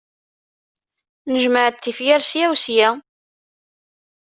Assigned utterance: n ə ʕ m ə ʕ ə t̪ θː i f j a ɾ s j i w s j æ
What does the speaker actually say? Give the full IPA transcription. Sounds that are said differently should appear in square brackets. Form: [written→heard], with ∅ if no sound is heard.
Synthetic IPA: n ə [ʕ→ʒ] m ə ʕ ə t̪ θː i f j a ɾ s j [i→æ] w s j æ

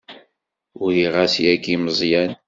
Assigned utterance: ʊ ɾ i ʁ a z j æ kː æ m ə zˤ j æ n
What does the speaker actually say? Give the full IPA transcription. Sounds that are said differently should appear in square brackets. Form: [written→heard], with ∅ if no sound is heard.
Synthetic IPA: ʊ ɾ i ʁ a [z→s] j æ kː [æ→i] m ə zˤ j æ n

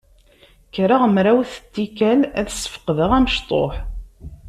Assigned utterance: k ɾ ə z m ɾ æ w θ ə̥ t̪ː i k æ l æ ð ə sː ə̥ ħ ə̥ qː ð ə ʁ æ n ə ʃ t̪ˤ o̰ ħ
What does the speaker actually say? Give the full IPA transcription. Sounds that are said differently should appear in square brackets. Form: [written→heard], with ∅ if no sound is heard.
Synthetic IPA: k ɾ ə [z→ʁ] m ɾ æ w θ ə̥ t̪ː i k æ l æ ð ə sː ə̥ [ħ→f] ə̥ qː ð ə ʁ æ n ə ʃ t̪ˤ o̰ ħ

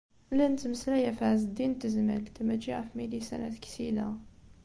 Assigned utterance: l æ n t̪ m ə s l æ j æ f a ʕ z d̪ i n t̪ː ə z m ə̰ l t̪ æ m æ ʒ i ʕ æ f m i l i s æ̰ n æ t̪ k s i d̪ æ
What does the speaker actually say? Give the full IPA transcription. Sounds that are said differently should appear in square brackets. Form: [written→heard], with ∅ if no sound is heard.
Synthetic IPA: l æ n t̪ m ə s l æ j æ f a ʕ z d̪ i n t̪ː ə z m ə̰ l t̪ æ m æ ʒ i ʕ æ f m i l i s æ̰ n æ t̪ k s i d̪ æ

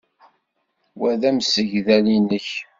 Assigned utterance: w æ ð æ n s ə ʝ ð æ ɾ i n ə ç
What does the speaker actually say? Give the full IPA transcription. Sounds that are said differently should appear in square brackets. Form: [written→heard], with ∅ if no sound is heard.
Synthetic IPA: w æ ð æ [n→m] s ə ʝ ð æ [ɾ→l] i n ə ç

